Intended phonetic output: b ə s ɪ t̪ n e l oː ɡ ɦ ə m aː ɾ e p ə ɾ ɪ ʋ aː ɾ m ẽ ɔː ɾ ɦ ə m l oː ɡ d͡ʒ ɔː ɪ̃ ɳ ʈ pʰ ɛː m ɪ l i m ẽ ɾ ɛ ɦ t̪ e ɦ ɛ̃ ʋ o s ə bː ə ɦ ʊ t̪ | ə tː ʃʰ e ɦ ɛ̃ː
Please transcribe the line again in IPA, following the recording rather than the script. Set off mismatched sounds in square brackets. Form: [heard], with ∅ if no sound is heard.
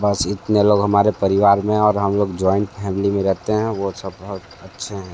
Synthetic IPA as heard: b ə s ɪ t̪ n e l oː ɡ ɦ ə m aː ɾ e p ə ɾ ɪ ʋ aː ɾ m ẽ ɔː ɾ ɦ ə m l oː ɡ d͡ʒ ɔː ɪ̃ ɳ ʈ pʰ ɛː m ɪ l i m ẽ ɾ ɛ ɦ t̪ e ɦ ɛ̃ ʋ o s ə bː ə ɦ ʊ t̪ | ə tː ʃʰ e ɦ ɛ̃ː

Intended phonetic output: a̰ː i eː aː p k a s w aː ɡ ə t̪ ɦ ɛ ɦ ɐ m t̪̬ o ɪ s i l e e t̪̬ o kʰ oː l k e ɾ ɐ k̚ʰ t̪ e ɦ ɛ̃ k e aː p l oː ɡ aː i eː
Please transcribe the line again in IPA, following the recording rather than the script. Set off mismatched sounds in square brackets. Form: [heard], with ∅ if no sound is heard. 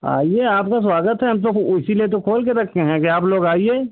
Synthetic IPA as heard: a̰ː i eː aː p k a s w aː ɡ ə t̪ ɦ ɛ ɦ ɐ m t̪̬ o ɪ s i l [i] e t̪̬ o kʰ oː l k e ɾ ɐ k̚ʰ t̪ e ɦ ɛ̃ k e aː p l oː ɡ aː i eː

